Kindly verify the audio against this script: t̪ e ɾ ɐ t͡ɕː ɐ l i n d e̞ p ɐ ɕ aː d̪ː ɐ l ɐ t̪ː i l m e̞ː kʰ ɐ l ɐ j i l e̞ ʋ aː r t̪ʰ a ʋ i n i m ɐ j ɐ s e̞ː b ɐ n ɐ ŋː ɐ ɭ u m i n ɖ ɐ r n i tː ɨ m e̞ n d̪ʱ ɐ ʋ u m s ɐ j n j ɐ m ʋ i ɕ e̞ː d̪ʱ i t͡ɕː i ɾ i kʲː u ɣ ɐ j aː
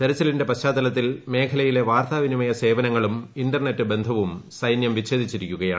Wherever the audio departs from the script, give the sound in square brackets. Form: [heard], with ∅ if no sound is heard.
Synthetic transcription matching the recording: t̪ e ɾ ɐ t͡ɕː ɐ l i n d e̞ p ɐ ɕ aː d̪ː ɐ l ɐ t̪ː i l m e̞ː kʰ ɐ l ɐ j i l e̞ ʋ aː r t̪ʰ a ʋ i n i m ɐ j ɐ s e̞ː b ɐ n ɐ ŋː ɐ ɭ u m i n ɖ ɐ r n [e] tː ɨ [b] e̞ n d̪ʱ ɐ ʋ u m s ɐ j n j ɐ m ʋ i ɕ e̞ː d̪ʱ i t͡ɕː i ɾ i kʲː u ɣ ɐ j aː